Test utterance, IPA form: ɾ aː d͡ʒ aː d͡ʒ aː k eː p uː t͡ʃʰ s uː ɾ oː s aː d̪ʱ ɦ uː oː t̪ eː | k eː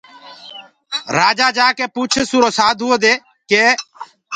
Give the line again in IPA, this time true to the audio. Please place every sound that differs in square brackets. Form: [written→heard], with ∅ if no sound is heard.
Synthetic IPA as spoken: ɾ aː d͡ʒ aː d͡ʒ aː k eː p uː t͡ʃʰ s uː ɾ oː s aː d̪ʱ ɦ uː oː [t̪→d̪] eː | k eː

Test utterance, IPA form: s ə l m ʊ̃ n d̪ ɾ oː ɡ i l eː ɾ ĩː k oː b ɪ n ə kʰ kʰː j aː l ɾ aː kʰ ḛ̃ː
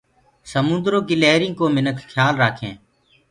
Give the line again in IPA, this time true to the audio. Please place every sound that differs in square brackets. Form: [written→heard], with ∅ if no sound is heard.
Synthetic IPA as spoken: s ə [l→∅] m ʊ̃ n d̪ ɾ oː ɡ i l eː ɾ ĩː k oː [b→m] ɪ n ə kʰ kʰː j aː l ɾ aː kʰ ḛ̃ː

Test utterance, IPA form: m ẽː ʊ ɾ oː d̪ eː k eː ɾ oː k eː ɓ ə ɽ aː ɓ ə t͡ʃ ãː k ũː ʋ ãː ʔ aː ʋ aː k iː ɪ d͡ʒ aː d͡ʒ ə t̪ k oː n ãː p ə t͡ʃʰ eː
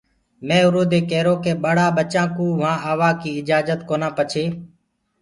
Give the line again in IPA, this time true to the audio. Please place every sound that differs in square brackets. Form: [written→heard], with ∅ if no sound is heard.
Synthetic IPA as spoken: m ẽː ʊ ɾ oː d̪ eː k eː ɾ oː k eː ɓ ə ɽ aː ɓ ə t͡ʃ ãː k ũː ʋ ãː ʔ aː ʋ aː k iː ɪ d͡ʒ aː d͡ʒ ə t̪ k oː n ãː p ə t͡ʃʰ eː

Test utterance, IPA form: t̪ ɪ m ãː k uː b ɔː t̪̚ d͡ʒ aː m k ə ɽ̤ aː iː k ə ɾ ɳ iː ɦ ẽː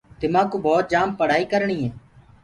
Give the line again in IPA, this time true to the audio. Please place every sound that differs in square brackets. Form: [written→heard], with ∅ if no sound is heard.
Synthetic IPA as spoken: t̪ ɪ m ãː k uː b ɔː t̪̚ d͡ʒ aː m [k→p] ə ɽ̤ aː iː k ə ɾ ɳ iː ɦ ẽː

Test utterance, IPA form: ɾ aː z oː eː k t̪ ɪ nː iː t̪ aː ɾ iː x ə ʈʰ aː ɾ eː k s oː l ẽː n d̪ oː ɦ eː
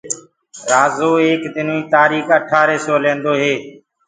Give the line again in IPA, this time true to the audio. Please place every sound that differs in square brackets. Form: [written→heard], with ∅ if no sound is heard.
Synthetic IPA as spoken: ɾ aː z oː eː k [t̪→d̪] ɪ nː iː t̪ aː ɾ iː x ə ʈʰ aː ɾ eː [k→∅] s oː l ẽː n d̪ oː ɦ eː

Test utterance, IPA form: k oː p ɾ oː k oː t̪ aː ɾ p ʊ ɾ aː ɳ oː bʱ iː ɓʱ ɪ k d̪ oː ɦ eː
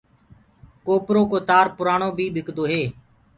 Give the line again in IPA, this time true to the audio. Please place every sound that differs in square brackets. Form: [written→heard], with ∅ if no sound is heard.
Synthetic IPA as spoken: k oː p ɾ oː k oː t̪ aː ɾ p ʊ ɾ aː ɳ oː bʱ iː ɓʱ ɪ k d̪ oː ɦ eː

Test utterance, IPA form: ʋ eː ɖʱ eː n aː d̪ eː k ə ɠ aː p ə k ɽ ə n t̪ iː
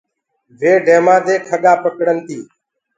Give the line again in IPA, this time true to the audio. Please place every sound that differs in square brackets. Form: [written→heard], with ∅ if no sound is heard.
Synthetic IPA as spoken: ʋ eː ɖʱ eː [n→m] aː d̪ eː [k→kʰ] ə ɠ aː p ə k ɽ ə n t̪ iː

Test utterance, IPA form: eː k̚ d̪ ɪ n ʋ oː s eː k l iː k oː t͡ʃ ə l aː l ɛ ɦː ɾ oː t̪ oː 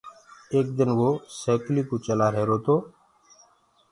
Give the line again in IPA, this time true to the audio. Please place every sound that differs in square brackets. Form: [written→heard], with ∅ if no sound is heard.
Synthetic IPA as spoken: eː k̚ d̪ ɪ n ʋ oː s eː k l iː k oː t͡ʃ ə l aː [l→ɾ] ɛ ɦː ɾ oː t̪ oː

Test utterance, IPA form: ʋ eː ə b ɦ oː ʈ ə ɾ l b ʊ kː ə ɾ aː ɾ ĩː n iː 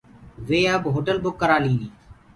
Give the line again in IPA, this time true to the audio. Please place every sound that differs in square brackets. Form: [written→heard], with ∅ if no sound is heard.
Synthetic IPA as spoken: ʋ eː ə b ɦ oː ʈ ə [ɾ→∅] l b ʊ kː ə ɾ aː [ɾ→l] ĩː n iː

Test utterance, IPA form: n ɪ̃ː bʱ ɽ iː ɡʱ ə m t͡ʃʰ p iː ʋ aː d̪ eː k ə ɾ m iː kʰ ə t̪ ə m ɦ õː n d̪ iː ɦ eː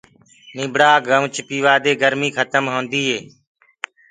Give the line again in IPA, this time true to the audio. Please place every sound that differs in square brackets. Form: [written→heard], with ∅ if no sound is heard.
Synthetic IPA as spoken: n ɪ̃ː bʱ ɽ [iː→aː] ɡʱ ə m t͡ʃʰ p iː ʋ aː d̪ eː [k→ɡ] ə ɾ m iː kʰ ə t̪ ə m ɦ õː n d̪ iː ɦ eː

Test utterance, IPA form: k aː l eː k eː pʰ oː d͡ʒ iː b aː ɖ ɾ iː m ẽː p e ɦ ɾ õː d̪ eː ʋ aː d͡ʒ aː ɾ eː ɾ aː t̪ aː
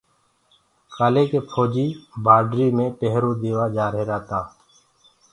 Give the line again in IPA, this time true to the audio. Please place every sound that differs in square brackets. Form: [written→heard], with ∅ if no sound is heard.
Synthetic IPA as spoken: k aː l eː k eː pʰ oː d͡ʒ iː b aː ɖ ɾ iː m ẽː p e ɦ ɾ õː d̪ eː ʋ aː d͡ʒ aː ɾ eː ɾ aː t̪ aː

